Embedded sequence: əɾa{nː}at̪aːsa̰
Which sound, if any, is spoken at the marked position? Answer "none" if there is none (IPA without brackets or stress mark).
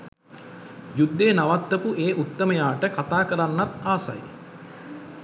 nː